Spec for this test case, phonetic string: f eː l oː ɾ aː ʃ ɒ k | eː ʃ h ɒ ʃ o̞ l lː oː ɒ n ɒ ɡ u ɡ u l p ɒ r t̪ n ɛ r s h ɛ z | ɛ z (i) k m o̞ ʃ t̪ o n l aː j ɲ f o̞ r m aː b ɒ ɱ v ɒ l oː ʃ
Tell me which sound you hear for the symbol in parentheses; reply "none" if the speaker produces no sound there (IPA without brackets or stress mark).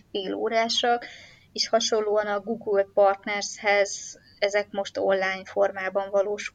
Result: ɛ